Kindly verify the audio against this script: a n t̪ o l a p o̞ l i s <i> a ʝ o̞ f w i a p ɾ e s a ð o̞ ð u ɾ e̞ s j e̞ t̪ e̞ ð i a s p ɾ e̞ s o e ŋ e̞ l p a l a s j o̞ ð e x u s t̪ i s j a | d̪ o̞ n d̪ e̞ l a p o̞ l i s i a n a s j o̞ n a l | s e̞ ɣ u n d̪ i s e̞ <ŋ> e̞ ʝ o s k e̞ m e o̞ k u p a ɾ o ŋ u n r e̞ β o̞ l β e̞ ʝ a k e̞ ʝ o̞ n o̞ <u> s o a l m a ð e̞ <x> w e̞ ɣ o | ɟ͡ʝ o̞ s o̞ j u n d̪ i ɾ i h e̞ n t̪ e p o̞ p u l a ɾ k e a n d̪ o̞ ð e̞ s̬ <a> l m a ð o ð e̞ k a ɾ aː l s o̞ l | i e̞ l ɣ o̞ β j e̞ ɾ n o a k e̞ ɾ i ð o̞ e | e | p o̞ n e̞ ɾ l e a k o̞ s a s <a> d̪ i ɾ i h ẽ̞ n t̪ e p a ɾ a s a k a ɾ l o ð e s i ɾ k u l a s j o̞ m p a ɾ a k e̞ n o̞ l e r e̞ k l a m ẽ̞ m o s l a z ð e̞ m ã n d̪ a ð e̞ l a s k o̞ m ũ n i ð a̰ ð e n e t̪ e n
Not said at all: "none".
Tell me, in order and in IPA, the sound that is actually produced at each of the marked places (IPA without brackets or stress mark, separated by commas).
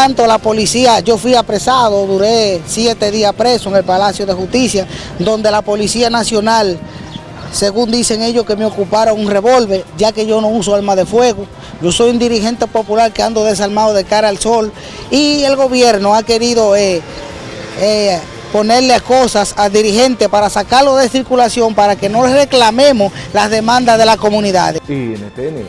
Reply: i, ŋ, u, f, a, a